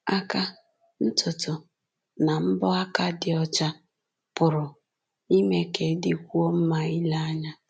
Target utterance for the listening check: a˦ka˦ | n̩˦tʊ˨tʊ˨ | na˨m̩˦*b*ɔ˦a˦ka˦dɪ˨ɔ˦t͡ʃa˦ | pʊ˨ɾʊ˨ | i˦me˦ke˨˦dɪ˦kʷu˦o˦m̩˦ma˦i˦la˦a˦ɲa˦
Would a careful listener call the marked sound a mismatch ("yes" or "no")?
no